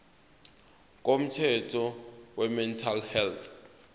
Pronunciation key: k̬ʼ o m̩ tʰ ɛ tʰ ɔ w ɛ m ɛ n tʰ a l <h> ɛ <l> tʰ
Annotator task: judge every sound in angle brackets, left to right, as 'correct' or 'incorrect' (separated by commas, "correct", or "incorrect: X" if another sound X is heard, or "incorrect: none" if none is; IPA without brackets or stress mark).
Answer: correct, correct